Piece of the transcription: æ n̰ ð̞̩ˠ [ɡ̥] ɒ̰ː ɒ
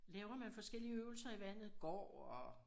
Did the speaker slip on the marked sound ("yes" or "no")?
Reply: no